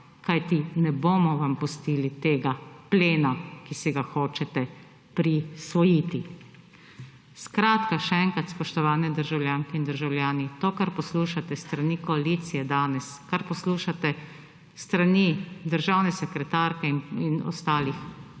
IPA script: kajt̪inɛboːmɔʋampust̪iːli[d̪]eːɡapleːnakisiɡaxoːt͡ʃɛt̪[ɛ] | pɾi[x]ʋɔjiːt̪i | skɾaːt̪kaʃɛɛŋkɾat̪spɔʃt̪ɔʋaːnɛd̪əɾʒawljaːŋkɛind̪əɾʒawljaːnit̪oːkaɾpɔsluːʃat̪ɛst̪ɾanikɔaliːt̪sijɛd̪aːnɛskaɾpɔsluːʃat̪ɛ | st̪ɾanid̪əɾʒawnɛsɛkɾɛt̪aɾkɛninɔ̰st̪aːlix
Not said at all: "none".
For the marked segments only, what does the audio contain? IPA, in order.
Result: t̪, ɛ, s

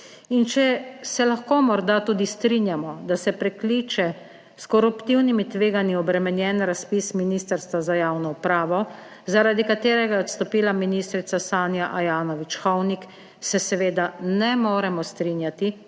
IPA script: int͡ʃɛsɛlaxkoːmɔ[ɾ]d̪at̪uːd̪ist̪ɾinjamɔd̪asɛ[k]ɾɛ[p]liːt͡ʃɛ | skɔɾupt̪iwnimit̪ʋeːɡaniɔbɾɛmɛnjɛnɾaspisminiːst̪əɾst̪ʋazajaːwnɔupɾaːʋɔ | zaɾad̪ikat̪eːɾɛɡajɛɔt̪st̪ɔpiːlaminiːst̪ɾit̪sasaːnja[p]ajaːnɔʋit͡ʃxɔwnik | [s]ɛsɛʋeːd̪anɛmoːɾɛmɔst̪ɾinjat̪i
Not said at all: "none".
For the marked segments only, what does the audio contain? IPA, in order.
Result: ɾ, p, k, ʔ, s

